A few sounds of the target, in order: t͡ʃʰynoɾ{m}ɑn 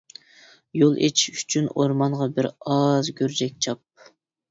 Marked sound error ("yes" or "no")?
no